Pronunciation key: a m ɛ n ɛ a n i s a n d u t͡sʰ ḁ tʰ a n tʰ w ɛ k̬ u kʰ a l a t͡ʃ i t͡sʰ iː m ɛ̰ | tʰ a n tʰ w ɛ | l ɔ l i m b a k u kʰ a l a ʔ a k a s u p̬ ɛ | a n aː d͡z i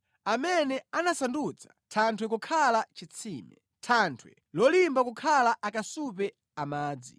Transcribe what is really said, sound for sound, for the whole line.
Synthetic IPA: a m ɛ n ɛ a n a s a n d u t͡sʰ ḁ tʰ a n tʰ w ɛ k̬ u kʰ a l a t͡ʃ i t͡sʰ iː m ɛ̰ | tʰ a n tʰ w ɛ | l ɔ l i m b a k u kʰ a l a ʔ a k a s u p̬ ɛ | a m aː d͡z i